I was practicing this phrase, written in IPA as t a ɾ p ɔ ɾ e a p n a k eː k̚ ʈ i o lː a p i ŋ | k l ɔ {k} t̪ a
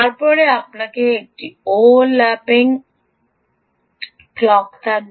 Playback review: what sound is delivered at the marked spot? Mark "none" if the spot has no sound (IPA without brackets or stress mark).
k